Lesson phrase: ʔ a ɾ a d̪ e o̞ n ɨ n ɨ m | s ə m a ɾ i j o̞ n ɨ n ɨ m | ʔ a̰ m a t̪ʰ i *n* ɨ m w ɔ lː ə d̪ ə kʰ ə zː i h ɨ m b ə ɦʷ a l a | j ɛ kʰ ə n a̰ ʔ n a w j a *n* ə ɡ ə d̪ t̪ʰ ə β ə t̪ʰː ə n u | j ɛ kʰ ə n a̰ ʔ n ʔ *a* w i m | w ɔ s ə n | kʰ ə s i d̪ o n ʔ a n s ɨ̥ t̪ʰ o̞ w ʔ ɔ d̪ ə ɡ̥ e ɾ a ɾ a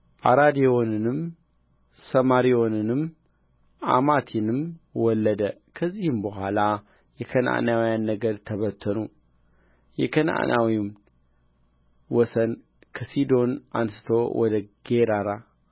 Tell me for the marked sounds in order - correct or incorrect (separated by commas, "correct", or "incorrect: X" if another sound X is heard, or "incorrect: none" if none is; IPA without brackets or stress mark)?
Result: correct, incorrect: nː, correct